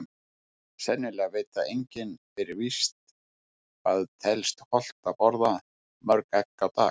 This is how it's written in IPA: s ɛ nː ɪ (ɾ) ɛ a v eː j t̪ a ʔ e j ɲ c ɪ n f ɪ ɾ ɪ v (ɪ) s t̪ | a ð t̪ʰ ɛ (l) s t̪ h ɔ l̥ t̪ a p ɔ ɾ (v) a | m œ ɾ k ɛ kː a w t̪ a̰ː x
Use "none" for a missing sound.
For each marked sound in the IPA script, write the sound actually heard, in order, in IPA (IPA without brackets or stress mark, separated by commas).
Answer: l, i, l, ð